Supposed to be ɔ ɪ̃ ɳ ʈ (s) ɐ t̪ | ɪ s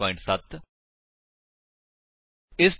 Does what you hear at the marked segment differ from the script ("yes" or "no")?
no